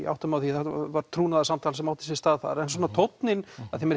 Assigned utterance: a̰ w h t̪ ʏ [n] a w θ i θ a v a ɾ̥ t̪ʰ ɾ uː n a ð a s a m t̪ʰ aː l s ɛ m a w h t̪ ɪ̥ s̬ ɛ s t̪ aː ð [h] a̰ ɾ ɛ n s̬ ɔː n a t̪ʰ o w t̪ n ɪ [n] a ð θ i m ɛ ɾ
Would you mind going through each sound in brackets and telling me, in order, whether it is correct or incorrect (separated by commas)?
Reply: incorrect, incorrect, correct